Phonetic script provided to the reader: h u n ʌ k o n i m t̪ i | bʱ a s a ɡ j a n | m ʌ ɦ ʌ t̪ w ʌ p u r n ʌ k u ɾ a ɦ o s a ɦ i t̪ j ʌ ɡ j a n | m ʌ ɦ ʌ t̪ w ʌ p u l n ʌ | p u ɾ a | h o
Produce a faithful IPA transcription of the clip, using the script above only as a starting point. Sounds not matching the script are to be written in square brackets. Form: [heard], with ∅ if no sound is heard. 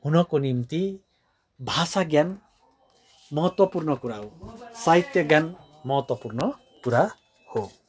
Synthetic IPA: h u n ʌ k o n i m t̪ i | bʱ a s a ɡ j a n | m ʌ ɦ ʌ t̪ w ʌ p u r n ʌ k u ɾ a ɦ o s a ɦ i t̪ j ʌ ɡ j a n | m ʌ ɦ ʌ t̪ w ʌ p u [r] n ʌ | [k] u ɾ a | h o